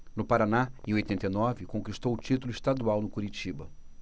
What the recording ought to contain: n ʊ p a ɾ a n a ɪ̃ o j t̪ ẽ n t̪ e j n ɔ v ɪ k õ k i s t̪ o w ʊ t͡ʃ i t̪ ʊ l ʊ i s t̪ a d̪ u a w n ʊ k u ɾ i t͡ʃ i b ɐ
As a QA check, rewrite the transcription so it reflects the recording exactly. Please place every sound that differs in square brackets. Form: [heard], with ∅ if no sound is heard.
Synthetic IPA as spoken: n ʊ p a ɾ a n a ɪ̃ o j t̪ ẽ n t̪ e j n ɔ v ɪ k õ k i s t̪ o w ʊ t͡ʃ i t̪ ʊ l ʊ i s t̪ a d̪ u a w n ʊ k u ɾ i t͡ʃ i b ɐ